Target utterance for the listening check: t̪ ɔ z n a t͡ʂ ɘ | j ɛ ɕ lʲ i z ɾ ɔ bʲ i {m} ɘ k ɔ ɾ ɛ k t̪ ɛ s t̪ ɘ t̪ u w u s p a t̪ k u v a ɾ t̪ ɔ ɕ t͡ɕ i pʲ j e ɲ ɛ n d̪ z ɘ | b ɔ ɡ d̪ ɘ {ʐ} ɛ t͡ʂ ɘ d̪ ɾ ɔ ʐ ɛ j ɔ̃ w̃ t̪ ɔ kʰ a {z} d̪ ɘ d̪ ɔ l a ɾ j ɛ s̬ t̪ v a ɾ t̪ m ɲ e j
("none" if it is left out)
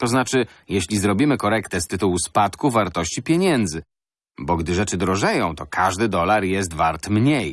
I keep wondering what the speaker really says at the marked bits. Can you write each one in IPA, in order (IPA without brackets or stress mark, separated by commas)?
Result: m, ʐ, ʐ